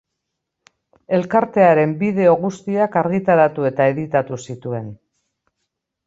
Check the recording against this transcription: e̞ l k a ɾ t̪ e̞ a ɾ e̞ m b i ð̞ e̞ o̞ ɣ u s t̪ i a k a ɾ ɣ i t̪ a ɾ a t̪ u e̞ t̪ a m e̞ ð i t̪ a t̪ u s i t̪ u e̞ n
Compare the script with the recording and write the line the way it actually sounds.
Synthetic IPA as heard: e̞ l k a ɾ t̪ e̞ a ɾ e̞ m b i ð̞ e̞ o̞ ɣ u s t̪ i a k a ɾ ɣ i t̪ a ɾ a t̪ u e̞ t̪ a e̞ ð i t̪ a t̪ u s i t̪ u e̞ n